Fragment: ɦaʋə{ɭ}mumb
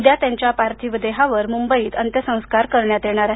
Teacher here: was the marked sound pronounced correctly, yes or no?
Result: no